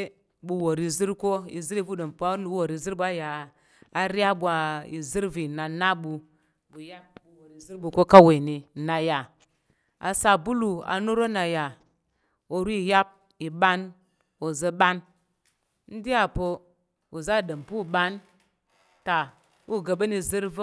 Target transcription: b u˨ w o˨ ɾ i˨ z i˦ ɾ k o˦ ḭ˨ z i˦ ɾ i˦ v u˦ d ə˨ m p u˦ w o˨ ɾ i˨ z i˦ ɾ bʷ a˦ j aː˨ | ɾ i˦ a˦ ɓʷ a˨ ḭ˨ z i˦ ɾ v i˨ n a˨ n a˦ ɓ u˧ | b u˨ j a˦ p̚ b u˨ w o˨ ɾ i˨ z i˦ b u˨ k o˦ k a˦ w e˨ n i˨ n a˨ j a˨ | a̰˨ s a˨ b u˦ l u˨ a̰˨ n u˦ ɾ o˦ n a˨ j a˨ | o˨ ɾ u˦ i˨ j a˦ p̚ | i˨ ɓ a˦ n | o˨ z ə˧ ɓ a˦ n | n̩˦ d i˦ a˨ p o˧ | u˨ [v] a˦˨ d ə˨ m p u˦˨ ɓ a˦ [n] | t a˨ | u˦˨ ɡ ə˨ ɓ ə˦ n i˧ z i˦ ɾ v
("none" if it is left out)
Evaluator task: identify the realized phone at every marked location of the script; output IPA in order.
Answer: z, n

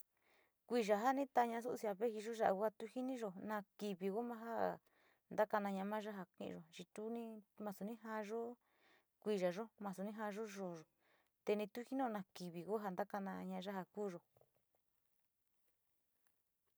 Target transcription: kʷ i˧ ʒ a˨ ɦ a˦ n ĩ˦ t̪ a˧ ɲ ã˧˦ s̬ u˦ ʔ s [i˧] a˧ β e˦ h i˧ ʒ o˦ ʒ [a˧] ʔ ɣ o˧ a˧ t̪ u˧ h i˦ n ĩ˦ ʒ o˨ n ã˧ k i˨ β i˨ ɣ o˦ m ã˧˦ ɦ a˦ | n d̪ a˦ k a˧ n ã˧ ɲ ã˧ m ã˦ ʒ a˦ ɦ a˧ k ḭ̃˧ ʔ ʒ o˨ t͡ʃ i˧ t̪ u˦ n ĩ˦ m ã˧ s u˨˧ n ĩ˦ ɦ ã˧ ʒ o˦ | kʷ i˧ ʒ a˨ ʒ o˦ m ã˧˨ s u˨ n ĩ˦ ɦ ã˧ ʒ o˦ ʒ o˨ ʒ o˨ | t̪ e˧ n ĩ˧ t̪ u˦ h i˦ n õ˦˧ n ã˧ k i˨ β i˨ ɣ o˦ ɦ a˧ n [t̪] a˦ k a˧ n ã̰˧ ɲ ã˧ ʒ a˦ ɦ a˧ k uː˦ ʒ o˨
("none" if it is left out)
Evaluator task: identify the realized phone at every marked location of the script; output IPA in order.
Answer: i˧, a˧, d̪

